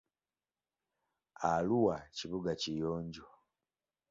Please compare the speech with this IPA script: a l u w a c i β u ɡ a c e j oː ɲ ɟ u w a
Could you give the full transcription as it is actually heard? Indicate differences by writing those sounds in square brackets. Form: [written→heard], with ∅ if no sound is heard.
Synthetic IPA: a l u w a c i β u ɡ a c [e→i] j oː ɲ ɟ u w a